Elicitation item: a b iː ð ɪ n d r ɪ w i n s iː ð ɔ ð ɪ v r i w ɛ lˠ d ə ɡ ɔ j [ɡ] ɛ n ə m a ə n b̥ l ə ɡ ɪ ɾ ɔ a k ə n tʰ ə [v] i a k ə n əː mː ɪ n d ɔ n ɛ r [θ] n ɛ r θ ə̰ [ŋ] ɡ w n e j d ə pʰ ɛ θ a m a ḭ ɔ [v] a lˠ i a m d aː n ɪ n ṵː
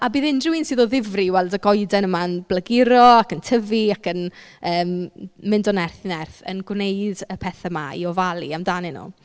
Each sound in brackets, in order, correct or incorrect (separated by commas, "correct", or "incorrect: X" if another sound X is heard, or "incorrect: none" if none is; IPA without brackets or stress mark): incorrect: d, correct, correct, incorrect: n, correct